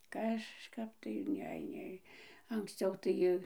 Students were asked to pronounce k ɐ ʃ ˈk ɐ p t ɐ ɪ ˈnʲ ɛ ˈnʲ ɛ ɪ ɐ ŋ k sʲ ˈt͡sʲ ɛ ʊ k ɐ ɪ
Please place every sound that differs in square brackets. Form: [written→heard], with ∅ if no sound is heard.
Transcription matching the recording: k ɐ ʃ ˈk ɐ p t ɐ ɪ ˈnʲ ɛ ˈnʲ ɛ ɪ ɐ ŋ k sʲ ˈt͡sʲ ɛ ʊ [k→t] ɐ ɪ